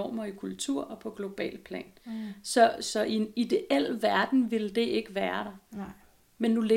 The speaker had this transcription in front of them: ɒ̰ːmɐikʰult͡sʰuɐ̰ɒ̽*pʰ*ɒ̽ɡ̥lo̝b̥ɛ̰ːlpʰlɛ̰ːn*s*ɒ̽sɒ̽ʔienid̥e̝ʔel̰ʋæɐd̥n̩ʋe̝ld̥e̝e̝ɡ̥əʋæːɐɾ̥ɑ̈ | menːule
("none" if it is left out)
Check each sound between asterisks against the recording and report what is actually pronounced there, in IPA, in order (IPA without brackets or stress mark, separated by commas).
pʰ, s